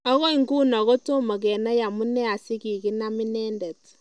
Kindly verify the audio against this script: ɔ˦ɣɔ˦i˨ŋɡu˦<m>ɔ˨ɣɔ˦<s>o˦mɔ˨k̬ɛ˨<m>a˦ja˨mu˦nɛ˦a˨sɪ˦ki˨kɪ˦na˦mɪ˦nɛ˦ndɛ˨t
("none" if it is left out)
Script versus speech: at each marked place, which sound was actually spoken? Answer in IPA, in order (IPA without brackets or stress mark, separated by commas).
n, t, n